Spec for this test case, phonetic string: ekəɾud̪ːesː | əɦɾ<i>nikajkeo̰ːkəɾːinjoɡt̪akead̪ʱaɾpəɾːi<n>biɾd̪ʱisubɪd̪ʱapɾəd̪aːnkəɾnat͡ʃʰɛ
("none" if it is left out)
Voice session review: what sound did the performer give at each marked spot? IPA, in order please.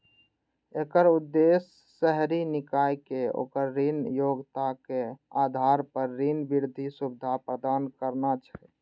i, n

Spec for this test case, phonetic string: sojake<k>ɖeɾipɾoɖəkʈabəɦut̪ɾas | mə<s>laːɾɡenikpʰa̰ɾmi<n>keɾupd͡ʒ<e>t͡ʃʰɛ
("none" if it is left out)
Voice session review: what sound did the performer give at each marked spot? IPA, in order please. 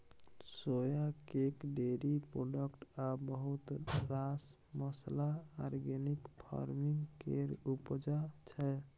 k, s, ŋ, a

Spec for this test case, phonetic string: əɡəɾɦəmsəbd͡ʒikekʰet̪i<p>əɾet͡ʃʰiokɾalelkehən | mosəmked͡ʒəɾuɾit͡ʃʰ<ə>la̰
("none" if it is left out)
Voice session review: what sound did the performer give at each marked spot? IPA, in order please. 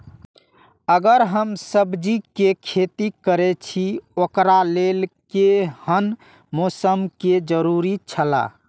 k, ə

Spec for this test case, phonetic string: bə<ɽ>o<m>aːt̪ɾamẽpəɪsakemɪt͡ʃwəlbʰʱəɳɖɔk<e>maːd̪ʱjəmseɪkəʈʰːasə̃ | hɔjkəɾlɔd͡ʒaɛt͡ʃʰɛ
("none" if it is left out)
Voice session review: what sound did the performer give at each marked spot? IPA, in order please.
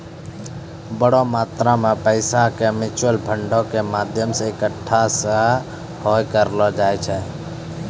ɽ, m, e

